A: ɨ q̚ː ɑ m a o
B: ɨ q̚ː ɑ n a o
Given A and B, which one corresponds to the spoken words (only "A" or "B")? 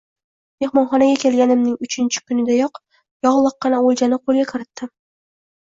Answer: B